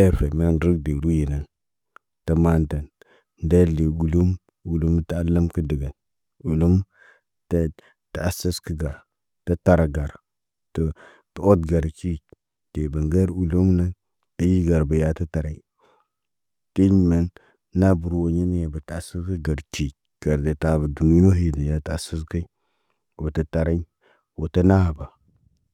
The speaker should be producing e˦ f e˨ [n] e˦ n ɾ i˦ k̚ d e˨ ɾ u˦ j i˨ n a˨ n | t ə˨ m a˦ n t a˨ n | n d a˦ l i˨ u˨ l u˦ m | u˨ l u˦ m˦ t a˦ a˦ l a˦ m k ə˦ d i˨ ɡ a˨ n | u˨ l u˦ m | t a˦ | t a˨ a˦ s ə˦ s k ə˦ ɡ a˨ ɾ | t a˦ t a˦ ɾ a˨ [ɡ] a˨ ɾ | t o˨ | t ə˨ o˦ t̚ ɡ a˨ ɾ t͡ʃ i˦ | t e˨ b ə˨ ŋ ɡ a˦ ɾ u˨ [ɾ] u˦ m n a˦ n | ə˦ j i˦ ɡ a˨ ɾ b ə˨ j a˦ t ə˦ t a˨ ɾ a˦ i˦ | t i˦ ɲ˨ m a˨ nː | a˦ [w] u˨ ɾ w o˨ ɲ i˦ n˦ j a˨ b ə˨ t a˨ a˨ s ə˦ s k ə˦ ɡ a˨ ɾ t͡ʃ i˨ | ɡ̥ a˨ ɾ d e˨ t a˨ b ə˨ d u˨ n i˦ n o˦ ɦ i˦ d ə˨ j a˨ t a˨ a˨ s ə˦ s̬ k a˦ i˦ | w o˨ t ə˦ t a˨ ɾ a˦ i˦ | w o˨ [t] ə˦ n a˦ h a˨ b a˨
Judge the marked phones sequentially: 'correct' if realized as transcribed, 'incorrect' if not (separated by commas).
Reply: incorrect, correct, incorrect, incorrect, correct